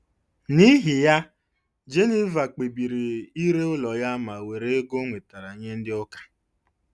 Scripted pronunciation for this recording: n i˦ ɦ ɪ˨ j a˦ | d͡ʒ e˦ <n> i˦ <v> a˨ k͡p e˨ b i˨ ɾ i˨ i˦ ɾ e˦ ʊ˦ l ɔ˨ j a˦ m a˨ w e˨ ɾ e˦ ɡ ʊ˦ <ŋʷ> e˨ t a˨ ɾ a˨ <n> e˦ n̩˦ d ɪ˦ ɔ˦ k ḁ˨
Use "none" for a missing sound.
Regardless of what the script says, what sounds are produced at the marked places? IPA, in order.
n, v, ŋʷ, ɲ

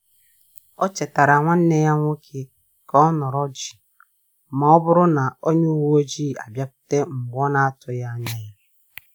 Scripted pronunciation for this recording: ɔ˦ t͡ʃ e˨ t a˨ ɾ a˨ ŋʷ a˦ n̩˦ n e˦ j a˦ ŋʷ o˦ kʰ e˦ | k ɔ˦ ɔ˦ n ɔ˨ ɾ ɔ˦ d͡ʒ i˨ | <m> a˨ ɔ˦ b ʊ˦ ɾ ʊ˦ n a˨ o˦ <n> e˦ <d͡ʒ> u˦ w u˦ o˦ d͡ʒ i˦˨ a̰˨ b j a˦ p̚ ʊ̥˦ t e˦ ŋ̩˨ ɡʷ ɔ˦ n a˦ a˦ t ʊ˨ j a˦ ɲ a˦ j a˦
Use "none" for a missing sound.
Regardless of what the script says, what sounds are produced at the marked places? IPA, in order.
m, ɲ, none

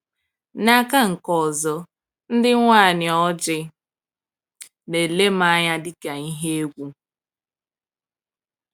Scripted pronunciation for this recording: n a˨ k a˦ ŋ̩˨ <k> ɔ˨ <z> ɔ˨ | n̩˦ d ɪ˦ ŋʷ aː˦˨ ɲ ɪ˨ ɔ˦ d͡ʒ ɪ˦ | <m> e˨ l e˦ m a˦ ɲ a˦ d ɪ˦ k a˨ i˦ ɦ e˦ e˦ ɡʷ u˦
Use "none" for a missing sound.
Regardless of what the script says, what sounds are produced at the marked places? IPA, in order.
k, z, n

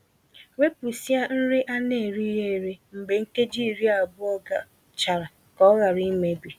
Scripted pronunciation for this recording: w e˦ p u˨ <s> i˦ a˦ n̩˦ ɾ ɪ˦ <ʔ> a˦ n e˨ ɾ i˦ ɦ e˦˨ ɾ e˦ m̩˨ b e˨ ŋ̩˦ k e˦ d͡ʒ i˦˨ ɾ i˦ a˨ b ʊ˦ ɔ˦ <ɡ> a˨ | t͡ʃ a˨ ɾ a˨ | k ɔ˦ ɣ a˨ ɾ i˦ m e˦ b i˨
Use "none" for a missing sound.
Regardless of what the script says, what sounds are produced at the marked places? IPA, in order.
s, ʔ, ɡ

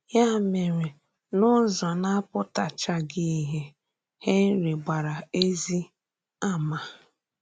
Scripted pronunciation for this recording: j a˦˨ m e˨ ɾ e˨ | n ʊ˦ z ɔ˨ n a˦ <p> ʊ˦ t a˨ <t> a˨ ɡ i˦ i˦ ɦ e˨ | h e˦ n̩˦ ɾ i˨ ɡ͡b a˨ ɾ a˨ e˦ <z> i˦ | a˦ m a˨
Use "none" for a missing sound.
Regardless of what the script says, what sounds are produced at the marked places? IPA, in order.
p, t͡ʃ, z

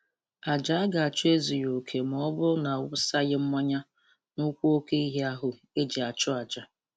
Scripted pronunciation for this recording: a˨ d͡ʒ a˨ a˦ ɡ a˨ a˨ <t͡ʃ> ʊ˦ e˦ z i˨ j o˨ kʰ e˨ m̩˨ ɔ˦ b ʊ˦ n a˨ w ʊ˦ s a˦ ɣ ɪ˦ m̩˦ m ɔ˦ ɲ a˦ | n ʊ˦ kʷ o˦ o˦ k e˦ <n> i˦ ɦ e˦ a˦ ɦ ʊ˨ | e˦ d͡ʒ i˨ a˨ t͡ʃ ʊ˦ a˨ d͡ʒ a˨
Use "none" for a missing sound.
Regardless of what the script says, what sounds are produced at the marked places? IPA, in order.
t͡ʃ, none

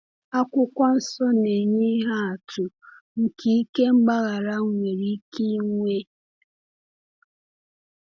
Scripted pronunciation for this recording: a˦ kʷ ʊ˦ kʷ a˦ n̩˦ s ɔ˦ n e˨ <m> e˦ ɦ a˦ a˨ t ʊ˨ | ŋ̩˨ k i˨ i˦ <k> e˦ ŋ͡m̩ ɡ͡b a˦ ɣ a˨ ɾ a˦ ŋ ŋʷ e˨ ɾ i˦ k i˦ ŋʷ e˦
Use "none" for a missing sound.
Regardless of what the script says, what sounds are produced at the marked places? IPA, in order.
ɲ, k

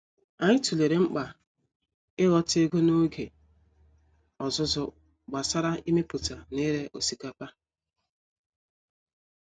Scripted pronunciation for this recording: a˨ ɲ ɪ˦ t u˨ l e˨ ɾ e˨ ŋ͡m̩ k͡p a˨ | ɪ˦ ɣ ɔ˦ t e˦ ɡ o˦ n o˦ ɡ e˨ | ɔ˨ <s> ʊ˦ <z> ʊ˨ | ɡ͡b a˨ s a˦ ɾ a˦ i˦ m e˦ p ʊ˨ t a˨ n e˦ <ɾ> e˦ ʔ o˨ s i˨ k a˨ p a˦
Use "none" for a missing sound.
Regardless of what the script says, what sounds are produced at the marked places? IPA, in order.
z, z, ɾ

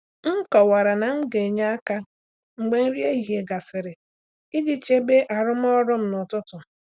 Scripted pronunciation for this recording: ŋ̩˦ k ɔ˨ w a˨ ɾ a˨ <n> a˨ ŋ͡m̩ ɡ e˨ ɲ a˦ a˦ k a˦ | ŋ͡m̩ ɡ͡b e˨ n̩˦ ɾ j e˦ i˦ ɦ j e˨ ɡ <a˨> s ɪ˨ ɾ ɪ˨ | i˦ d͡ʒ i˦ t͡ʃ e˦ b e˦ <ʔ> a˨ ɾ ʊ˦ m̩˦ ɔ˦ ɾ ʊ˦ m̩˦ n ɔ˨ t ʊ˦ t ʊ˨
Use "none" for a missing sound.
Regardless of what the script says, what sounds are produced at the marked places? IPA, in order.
n, a˨, ʔ

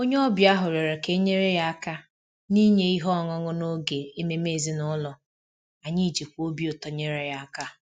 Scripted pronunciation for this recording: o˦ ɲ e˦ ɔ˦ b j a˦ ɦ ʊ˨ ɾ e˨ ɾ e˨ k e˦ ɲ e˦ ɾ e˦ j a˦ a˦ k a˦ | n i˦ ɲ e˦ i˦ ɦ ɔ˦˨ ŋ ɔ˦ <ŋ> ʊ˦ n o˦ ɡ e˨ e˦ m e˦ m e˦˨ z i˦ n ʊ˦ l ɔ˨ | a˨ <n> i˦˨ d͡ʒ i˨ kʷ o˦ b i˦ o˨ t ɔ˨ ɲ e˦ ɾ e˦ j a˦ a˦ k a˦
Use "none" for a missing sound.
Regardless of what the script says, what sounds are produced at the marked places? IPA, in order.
ŋ, ɲ

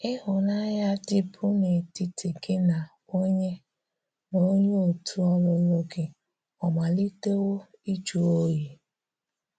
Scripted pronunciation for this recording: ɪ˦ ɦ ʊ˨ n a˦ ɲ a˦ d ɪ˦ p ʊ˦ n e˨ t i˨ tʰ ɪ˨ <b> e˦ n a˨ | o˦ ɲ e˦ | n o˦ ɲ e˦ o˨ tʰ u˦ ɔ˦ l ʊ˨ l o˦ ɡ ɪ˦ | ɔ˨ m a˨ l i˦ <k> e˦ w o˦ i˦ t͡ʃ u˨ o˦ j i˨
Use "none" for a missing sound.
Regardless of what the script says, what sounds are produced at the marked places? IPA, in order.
ɡ, t

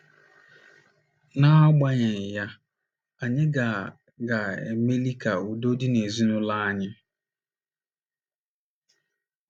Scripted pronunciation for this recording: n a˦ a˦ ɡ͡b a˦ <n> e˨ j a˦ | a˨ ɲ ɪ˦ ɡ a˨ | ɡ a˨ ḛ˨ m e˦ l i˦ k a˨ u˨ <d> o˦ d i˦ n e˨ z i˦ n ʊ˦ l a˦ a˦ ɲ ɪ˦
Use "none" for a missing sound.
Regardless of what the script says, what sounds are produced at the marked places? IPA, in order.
ɲ, d

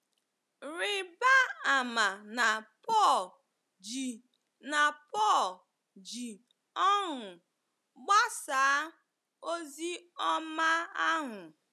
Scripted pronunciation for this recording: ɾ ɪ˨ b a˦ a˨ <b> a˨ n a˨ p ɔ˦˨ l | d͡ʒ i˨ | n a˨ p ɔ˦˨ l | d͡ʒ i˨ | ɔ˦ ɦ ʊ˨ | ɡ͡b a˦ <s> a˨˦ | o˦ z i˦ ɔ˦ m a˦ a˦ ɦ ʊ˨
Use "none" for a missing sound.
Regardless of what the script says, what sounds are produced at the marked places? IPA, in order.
m, s

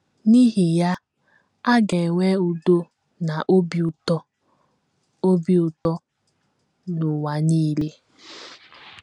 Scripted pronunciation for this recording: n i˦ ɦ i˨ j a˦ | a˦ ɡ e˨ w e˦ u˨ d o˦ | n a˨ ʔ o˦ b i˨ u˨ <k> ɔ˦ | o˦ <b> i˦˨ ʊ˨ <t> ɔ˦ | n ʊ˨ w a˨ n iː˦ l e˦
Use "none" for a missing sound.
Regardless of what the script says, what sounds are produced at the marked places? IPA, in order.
t, b, t

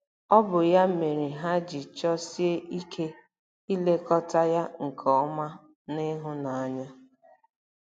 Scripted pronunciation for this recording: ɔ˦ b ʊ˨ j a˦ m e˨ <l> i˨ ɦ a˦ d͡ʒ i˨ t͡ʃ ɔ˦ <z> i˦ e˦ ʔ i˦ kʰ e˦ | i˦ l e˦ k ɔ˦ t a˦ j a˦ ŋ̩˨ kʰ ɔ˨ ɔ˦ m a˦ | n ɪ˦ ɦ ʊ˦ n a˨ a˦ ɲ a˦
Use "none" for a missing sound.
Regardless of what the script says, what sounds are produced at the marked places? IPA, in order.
ɾ, s

